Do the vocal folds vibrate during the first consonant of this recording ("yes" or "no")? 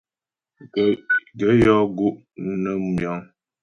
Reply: yes